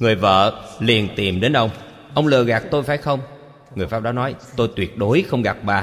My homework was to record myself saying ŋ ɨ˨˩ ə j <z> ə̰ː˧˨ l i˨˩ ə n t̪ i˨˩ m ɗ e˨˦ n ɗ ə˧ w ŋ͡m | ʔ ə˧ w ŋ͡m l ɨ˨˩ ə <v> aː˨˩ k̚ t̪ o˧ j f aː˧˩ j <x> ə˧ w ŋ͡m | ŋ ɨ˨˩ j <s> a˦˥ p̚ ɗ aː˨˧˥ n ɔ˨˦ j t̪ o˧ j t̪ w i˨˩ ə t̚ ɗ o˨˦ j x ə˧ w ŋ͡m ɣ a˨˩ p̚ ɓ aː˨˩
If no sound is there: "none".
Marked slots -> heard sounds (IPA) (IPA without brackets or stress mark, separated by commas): v, ɣ, x, f